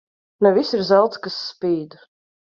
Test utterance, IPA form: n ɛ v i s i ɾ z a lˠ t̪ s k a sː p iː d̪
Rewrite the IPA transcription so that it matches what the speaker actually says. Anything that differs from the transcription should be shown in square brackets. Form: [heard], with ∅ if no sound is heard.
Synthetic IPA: n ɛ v i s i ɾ z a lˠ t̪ s k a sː p iː d̪